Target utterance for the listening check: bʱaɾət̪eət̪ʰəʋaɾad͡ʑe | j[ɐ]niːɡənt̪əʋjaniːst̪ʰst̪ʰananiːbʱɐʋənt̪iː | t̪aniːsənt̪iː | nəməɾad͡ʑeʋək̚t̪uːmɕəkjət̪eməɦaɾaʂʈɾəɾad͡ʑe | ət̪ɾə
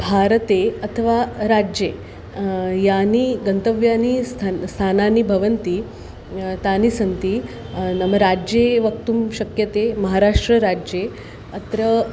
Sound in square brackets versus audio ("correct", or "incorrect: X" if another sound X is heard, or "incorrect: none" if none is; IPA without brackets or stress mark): incorrect: a